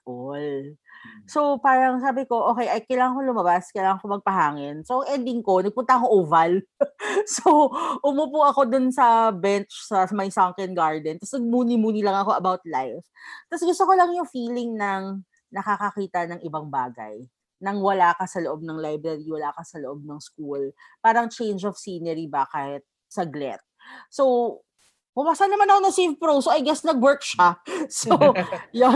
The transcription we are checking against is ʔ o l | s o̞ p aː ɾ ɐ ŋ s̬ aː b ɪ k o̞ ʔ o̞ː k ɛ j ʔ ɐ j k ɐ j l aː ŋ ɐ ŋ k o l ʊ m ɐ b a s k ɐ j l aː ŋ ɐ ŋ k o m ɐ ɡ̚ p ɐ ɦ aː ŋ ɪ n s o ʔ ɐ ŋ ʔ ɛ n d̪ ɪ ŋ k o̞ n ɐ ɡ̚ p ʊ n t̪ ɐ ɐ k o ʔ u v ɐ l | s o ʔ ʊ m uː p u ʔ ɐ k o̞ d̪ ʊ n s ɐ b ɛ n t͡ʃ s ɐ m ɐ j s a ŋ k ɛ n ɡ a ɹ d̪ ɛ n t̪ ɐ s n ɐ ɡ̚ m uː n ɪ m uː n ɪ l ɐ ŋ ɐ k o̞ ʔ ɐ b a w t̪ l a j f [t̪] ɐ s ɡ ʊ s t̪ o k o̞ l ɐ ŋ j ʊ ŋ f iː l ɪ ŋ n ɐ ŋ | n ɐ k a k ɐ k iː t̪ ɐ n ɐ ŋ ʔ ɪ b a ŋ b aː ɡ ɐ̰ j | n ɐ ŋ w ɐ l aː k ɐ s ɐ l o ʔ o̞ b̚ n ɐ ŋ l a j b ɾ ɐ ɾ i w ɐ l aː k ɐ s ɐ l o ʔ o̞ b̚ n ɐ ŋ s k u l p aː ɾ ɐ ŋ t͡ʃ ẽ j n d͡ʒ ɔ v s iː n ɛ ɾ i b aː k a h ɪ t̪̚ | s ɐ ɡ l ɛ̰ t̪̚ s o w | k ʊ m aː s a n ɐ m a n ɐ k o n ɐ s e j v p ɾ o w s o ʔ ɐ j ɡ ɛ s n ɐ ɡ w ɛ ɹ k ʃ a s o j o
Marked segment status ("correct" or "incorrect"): correct